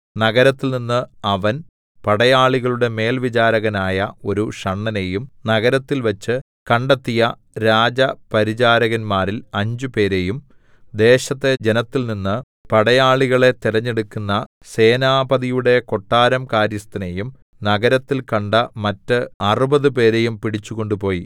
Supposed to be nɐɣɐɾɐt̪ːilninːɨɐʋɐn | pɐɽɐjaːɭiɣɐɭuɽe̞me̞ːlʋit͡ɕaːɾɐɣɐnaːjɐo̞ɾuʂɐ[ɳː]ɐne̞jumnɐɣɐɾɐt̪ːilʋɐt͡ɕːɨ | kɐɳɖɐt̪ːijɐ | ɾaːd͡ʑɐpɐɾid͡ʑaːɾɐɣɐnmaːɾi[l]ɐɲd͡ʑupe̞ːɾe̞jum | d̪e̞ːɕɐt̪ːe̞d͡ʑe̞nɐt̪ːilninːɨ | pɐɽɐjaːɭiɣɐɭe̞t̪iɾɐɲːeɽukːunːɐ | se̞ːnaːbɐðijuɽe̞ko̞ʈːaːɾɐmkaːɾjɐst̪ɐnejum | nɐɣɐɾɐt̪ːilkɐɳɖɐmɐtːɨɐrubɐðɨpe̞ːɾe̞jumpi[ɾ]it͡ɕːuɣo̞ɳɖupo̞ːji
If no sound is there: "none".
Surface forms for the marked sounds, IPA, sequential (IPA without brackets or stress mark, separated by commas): ɳː, l, ɽ